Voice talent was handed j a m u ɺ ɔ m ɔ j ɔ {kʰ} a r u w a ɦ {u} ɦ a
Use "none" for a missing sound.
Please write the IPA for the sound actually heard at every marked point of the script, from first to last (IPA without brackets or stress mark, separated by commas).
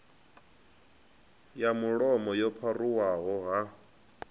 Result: pʰ, ɔ